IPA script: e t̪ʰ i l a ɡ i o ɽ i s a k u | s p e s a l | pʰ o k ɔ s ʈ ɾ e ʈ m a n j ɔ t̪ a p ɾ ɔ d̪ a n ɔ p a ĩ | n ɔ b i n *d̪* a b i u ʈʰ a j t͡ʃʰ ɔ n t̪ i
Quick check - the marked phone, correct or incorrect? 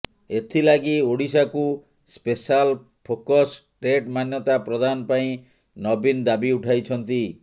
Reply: correct